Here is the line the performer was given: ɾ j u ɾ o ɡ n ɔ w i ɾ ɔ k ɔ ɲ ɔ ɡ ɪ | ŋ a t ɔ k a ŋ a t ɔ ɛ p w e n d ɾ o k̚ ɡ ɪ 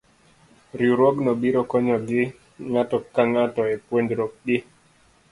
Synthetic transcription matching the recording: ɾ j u ɾ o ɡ n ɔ b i ɾ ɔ k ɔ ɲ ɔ ɡ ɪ | ŋ a t ɔ k a ŋ a t ɔ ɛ p w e n d ɾ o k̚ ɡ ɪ

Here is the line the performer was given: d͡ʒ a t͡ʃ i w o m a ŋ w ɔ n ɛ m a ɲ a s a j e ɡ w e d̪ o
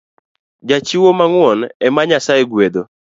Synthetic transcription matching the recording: d͡ʒ a t͡ʃ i w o m a ŋ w ɔ n ɛ m a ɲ a s a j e ɡ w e d̪ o

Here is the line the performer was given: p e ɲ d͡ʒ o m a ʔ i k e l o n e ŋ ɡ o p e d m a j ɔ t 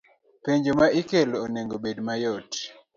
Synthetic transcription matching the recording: p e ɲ d͡ʒ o m a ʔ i k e l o n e ŋ ɡ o b e d m a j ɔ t

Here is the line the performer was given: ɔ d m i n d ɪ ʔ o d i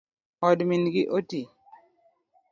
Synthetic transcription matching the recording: ɔ d m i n ɡ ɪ ʔ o t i

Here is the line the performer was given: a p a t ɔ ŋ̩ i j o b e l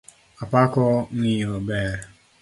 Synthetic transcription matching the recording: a p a k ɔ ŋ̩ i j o b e ɾ

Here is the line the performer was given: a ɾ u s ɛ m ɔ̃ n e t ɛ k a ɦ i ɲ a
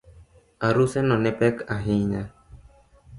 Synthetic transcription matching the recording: a ɾ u s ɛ n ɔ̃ n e p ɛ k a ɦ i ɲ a

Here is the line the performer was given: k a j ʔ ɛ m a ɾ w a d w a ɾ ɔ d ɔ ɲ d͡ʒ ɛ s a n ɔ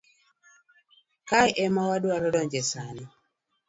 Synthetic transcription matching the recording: k a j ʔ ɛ m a w a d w a ɾ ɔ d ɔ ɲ d͡ʒ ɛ s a n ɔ

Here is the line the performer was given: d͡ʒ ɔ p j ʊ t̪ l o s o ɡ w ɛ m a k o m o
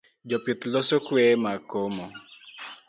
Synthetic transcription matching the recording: d͡ʒ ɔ p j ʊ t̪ l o s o k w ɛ m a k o m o

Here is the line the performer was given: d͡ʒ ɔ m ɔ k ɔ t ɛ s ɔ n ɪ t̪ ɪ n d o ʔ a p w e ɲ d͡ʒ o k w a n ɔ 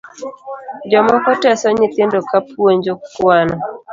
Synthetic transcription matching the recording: d͡ʒ ɔ m ɔ k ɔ t ɛ s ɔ ɲ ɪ t̪ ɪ n d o k a p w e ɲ d͡ʒ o k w a n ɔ

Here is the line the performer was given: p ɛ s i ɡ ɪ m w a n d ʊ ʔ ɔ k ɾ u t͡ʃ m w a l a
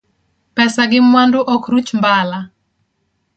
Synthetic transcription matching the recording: p ɛ s a ɡ ɪ m w a n d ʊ ʔ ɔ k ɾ u t͡ʃ m b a l a

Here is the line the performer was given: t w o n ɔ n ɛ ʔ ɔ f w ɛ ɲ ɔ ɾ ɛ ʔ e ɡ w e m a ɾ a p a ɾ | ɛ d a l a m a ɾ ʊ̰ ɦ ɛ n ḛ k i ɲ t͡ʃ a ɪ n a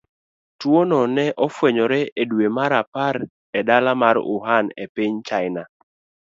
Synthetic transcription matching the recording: t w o n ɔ n ɛ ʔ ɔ f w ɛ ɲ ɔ ɾ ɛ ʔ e d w e m a ɾ a p a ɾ | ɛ d a l a m a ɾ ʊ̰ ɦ a n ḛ p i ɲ t͡ʃ a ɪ n a

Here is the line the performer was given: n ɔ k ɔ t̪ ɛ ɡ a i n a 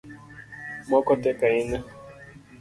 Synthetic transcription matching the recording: m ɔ k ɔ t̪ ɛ k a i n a

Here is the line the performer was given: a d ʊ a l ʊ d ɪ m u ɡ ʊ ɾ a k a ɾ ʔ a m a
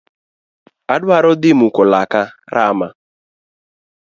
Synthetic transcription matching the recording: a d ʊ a ɾ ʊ d ɪ m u k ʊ l a k a ɾ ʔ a m a

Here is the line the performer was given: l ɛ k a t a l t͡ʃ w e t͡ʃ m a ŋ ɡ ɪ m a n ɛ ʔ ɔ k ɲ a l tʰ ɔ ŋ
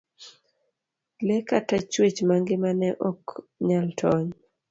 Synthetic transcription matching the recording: l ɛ k a t a t͡ʃ w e t͡ʃ m a ŋ ɡ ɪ m a n ɛ ʔ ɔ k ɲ a l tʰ ɔ ɲ

